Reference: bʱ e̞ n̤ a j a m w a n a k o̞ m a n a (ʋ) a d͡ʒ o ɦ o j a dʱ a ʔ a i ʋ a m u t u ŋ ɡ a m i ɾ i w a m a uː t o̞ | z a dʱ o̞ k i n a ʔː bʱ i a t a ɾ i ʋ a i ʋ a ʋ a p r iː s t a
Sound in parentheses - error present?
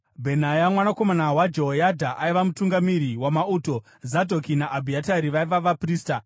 yes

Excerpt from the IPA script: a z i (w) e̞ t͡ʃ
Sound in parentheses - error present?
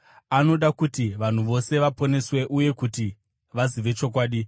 yes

